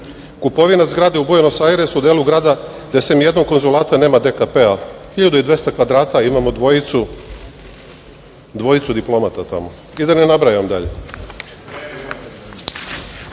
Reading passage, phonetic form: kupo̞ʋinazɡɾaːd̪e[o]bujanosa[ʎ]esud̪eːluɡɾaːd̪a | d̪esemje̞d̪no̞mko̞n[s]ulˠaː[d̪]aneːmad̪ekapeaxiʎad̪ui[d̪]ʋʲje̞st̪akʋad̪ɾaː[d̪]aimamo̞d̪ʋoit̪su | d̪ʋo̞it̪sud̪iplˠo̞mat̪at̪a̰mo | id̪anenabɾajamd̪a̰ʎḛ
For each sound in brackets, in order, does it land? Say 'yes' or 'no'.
no, no, no, no, yes, no

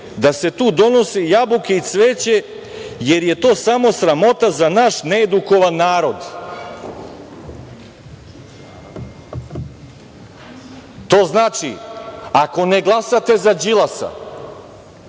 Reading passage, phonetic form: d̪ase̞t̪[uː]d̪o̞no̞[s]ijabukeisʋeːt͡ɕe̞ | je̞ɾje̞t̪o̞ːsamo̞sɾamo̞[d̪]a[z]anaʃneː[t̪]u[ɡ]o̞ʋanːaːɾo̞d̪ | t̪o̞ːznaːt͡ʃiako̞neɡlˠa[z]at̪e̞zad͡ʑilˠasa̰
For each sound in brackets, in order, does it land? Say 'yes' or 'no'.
yes, yes, no, yes, no, no, no

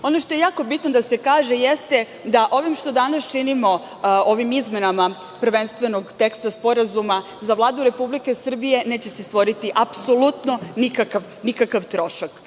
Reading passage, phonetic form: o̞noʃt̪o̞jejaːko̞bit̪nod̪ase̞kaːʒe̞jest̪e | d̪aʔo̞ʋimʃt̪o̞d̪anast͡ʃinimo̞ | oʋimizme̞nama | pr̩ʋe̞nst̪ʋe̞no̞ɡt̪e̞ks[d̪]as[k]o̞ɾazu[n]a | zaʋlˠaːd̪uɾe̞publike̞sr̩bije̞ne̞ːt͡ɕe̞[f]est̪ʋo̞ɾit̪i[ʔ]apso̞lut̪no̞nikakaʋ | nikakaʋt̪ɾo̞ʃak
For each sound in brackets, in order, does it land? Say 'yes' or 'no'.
no, no, no, no, yes

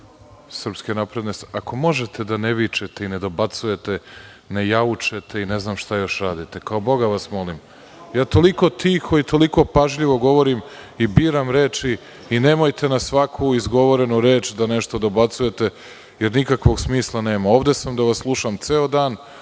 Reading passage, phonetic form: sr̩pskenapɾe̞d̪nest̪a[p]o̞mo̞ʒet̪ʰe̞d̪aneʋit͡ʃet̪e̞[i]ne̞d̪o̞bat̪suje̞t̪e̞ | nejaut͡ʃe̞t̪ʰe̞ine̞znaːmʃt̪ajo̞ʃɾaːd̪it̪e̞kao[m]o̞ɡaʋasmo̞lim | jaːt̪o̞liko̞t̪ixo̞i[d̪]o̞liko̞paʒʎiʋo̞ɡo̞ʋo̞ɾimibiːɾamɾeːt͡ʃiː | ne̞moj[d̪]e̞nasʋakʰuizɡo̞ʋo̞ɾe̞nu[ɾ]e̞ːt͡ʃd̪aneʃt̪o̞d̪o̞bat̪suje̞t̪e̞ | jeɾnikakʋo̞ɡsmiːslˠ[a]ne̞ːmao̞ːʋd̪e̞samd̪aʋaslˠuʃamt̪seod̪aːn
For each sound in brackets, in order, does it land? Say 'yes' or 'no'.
no, yes, no, no, no, yes, yes

